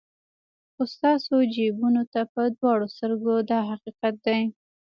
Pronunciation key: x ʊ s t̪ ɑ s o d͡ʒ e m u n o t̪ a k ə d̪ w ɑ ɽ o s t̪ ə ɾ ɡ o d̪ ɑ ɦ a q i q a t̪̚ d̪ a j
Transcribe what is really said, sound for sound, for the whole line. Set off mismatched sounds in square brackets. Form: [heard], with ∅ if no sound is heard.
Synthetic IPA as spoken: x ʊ s t̪ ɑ s o d͡ʒ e [b] u n o t̪ a [p] ə d̪ w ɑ ɽ o s t̪ ə ɾ ɡ o d̪ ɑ ɦ a q i q a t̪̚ d̪ a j